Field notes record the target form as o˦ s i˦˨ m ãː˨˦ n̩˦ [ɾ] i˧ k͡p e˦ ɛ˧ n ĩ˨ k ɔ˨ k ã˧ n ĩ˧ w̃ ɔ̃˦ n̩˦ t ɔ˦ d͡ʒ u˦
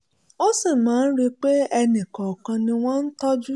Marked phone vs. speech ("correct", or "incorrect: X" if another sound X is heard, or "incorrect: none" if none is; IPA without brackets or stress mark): correct